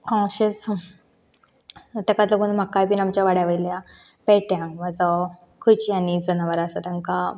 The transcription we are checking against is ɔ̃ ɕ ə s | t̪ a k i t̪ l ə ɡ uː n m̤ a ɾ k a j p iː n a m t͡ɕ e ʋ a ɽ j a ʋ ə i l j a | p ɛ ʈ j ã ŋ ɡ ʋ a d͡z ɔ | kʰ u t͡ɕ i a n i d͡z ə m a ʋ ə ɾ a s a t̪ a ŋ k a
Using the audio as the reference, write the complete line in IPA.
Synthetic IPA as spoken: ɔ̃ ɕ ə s | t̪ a k a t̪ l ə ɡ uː n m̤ a k a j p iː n a m t͡ɕ a ʋ a ɽ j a ʋ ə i l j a | p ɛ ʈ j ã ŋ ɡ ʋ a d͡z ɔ | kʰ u t͡ɕ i a n i d͡z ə n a ʋ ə ɾ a s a t̪ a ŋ k a